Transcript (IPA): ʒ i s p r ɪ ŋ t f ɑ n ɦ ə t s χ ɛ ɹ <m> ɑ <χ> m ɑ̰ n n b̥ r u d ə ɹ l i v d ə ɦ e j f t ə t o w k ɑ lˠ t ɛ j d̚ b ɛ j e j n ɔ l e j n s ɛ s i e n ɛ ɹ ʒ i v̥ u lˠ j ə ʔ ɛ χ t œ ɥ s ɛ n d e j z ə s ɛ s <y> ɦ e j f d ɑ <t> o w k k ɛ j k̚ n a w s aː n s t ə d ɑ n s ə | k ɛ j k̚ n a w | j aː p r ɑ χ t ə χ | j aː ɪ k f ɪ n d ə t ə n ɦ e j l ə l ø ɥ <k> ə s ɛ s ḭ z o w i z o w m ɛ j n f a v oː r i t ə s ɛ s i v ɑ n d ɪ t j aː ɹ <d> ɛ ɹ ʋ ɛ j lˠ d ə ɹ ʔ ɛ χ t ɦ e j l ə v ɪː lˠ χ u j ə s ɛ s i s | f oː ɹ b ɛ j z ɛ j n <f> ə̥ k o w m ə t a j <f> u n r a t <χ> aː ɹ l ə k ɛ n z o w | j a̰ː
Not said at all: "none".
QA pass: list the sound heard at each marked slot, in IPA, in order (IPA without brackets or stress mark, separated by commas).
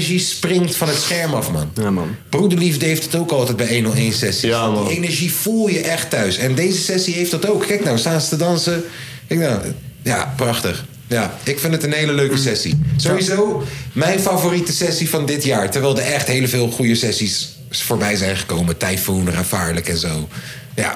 m, f, i, t, k, t, χ, f, f